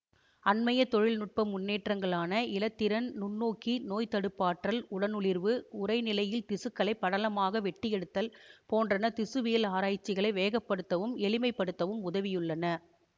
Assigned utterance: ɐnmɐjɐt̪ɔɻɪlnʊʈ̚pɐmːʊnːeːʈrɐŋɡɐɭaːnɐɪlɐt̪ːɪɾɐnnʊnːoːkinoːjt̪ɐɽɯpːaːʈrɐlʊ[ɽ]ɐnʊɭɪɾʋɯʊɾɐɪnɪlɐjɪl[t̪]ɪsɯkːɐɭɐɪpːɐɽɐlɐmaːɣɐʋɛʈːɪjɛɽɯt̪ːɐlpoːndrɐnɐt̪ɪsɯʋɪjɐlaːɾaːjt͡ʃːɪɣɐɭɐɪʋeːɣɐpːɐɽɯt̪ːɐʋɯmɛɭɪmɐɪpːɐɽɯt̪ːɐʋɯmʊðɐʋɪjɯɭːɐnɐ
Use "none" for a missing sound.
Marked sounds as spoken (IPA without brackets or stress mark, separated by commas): ɽ, t̪